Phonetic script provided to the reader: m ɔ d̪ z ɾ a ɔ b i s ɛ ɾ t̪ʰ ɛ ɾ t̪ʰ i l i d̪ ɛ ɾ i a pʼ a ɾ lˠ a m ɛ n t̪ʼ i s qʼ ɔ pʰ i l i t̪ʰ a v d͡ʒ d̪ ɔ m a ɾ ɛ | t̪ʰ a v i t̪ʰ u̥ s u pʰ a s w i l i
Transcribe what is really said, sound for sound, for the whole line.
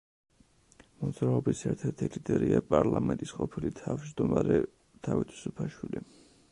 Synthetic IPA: m ɔ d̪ z ɾ a ɔ b i s ɛ ɾ t̪ʰ ɛ ɾ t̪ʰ i l i d̪ ɛ ɾ i a pʼ a ɾ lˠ a m ɛ n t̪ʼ i s qʼ ɔ pʰ i l i t̪ʰ a v d͡ʒ d̪ ɔ m a ɾ ɛ | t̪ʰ a v i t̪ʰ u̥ s u pʰ a ʃ w i l i